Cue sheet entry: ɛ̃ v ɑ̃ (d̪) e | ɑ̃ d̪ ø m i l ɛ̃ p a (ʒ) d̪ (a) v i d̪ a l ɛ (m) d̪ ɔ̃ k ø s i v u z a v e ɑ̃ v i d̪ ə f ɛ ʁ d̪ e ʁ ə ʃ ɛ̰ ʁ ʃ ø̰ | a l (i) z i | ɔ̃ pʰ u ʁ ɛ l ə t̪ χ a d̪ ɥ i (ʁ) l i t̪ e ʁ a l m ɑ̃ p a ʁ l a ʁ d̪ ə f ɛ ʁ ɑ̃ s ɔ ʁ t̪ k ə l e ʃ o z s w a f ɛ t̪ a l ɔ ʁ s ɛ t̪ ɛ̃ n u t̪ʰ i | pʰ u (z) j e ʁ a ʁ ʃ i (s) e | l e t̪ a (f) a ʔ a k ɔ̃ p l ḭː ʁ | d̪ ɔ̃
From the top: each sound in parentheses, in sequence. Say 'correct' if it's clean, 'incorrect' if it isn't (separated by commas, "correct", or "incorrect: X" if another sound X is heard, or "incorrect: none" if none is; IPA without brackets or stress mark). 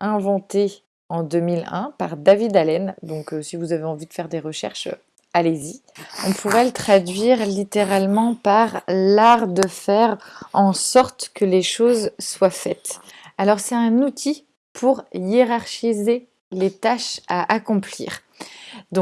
incorrect: t̪, incorrect: ʁ, correct, incorrect: n, incorrect: e, correct, incorrect: ʁ, incorrect: z, incorrect: ʃ